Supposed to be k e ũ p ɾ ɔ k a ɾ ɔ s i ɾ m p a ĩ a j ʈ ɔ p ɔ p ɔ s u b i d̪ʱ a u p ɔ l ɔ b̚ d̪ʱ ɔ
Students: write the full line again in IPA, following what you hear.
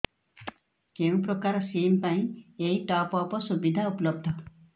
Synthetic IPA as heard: k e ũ p ɾ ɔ k a ɾ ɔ s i m p a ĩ e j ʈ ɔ p ɔ p ɔ s u b i d̪ʱ a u p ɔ l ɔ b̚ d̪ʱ ɔ